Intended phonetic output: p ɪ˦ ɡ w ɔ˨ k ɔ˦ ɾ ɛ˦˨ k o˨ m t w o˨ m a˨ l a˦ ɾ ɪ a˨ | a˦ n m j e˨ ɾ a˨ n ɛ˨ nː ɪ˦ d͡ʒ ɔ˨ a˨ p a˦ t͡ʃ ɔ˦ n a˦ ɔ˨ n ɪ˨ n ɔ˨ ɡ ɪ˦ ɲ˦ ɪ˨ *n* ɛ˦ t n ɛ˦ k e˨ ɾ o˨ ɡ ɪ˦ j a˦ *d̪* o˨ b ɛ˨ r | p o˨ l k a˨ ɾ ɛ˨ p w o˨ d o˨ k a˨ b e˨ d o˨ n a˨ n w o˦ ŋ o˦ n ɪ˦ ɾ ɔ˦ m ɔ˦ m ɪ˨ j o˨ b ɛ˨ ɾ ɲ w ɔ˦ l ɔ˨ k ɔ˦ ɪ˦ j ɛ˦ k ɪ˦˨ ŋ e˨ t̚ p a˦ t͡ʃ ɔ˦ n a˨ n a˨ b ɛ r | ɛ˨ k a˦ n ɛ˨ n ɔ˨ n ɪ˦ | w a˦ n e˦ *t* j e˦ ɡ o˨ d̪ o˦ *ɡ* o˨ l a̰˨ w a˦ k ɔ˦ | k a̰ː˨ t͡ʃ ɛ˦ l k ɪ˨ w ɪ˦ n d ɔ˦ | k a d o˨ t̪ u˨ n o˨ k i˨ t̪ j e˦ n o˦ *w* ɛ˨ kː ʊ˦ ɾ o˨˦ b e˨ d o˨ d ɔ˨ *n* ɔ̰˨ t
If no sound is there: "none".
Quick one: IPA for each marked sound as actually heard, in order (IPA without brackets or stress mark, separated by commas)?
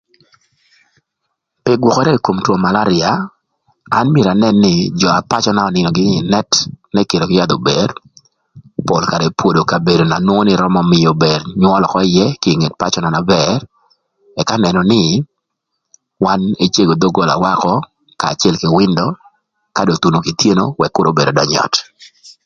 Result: n, d̪, t͡ʃ, ɡ, w, ɲ